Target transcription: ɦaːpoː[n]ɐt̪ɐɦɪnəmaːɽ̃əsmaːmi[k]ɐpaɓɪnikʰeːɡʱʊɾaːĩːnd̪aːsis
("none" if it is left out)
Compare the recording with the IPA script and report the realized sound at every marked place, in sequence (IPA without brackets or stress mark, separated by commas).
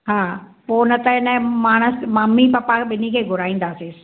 n, p